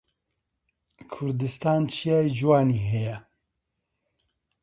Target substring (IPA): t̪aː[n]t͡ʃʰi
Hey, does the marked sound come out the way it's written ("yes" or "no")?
yes